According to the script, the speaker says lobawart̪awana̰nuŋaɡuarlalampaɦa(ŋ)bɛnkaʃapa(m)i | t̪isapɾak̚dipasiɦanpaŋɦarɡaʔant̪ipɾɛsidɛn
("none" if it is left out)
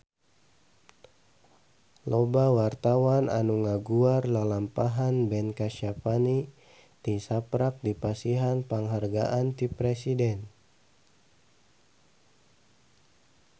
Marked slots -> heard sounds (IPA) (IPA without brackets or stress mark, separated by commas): n, n